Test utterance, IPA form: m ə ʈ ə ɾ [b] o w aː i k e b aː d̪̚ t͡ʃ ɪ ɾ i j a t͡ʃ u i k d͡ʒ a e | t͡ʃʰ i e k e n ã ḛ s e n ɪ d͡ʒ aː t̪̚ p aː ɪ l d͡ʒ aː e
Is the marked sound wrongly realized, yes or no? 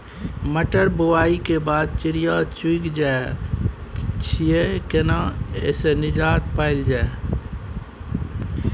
no